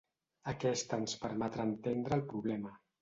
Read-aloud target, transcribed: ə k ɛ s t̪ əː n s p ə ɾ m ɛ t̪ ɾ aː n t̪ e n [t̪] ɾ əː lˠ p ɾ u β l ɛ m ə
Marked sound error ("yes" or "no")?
yes